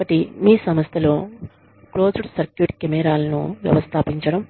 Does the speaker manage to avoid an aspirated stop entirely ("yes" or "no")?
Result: no